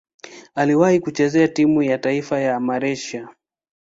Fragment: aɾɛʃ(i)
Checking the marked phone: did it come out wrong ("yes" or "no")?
yes